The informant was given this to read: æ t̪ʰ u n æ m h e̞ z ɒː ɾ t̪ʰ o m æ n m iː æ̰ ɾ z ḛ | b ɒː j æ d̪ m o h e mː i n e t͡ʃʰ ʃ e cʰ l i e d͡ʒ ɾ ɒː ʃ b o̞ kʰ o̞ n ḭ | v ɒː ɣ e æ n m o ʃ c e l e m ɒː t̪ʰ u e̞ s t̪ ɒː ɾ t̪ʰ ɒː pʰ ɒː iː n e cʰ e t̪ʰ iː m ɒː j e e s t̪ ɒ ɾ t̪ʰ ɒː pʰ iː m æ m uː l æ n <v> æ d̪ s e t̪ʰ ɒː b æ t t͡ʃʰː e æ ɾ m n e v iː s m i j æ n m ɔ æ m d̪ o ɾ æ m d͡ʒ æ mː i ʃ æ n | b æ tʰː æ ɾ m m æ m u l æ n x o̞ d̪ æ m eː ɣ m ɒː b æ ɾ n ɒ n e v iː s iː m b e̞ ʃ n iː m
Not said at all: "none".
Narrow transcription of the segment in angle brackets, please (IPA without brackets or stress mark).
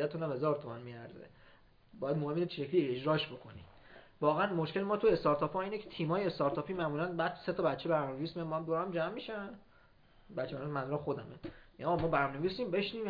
b